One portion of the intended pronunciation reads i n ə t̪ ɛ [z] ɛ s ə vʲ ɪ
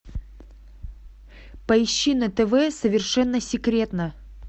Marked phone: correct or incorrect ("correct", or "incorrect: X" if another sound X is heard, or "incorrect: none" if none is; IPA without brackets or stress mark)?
incorrect: v